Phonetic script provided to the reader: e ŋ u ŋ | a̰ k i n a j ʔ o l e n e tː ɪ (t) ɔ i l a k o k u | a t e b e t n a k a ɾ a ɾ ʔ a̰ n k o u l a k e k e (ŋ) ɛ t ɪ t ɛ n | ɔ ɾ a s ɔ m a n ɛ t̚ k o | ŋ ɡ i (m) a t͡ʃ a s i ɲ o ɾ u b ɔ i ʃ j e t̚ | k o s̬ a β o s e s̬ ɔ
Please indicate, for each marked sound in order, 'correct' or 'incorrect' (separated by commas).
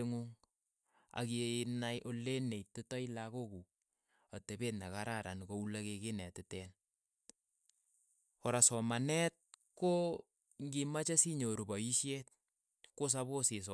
correct, incorrect, correct